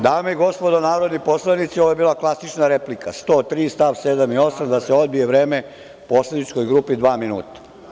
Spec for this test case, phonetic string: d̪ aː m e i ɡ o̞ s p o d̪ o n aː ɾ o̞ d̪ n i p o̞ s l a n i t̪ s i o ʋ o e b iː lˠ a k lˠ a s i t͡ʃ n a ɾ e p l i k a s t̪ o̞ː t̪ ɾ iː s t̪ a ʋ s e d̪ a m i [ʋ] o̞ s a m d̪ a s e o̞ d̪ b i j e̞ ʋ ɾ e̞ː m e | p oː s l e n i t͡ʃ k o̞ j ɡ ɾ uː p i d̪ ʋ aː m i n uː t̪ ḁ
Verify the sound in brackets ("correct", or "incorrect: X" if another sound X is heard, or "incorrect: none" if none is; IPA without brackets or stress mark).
incorrect: none